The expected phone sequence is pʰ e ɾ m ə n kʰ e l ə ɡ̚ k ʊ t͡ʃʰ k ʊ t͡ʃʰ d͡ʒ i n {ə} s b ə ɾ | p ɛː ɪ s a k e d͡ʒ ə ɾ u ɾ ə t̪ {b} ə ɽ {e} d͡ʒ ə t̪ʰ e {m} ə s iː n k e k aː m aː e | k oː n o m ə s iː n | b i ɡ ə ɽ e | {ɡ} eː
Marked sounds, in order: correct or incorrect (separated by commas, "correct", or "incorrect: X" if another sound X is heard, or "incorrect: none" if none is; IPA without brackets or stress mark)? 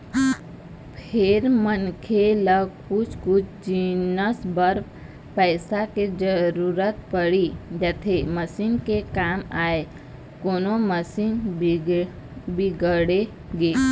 correct, incorrect: p, incorrect: i, correct, correct